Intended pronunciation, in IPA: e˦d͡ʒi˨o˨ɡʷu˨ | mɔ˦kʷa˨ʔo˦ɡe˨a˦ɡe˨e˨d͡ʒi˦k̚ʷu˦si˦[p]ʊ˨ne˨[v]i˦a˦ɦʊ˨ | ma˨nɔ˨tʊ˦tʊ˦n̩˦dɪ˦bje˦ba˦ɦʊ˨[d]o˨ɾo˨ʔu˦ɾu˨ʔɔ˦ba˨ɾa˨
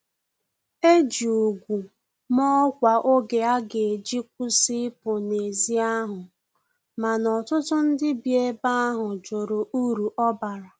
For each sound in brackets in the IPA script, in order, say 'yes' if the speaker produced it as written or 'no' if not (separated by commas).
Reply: yes, no, no